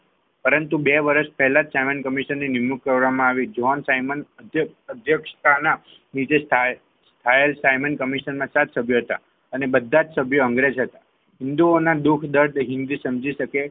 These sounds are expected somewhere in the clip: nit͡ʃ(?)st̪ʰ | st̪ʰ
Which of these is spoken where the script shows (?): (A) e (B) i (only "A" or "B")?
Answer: A